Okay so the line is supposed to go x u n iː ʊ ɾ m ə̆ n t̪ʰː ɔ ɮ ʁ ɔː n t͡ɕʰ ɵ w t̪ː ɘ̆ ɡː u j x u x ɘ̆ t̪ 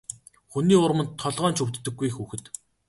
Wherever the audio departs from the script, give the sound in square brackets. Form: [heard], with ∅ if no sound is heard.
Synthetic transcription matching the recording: x u n iː ʊ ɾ m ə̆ n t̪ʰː ɔ ɮ ʁ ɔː n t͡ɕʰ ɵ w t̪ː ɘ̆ ɡː u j x u x ɘ̆ t̪